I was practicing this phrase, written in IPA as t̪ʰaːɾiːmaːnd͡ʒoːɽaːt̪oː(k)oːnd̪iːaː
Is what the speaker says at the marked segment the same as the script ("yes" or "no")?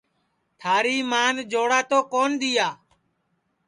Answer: yes